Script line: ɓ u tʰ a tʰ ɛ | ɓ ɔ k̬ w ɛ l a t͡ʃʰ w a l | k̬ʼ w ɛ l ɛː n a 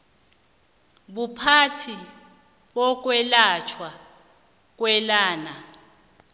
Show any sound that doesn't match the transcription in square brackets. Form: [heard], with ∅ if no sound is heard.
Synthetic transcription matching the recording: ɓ u [pʰ] a tʰ [i] | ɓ ɔ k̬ w ɛ l a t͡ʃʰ w a [∅] | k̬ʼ w ɛ l [aː] n a